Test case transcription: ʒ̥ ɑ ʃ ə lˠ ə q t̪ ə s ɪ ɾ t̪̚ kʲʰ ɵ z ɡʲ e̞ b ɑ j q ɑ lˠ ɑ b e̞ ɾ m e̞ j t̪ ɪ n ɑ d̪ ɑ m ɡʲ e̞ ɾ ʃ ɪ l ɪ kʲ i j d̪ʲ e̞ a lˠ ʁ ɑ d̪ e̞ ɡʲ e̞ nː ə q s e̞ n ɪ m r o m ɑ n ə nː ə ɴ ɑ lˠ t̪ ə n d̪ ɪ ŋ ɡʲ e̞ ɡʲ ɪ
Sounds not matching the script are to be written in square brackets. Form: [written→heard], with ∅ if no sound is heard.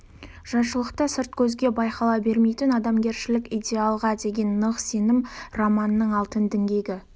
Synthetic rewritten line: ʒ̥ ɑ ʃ ə lˠ ə q t̪ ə s ɪ ɾ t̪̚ kʲʰ ɵ z ɡʲ e̞ b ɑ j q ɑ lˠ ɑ b e̞ ɾ m e̞ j t̪ ɪ n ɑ d̪ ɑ m ɡʲ e̞ ɾ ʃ ɪ l ɪ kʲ i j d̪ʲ e̞ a lˠ ʁ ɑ d̪ e̞ ɡʲ e̞ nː ə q s e̞ n ɪ m r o m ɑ n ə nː ə ɴ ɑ lˠ t̪ ə n d̪ ɪ ŋ ɡʲ e̞ ɡʲ ɪ